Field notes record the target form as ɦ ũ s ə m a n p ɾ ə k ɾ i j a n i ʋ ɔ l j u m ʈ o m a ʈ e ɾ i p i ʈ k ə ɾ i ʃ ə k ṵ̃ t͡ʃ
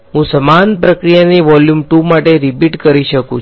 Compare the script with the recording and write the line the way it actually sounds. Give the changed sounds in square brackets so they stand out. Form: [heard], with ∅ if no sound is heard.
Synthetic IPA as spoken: ɦ ũ s ə m a n p ɾ ə k ɾ i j a n i ʋ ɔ l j u m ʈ [u] m a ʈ e ɾ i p i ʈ k ə ɾ i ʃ ə k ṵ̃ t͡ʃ